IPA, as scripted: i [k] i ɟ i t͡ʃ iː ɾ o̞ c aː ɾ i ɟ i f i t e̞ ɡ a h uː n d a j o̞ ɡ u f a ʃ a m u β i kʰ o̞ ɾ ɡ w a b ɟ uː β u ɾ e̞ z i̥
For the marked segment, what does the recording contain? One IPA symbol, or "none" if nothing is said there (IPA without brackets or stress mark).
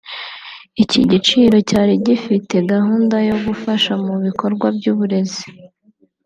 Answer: c